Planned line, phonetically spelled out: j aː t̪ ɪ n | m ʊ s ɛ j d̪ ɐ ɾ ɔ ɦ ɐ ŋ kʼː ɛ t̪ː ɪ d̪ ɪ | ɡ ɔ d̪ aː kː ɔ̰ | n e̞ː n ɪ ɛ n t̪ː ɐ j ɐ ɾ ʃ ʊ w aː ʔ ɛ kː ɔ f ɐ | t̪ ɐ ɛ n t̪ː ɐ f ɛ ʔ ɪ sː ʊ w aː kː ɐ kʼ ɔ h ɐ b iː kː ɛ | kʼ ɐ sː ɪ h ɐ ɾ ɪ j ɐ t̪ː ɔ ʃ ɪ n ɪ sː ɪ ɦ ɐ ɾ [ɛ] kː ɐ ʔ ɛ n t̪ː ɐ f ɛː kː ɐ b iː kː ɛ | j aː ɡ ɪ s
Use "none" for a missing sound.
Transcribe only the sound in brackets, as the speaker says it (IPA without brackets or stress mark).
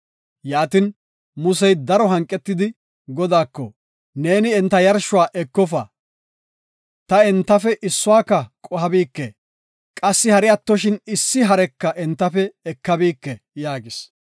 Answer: ɛ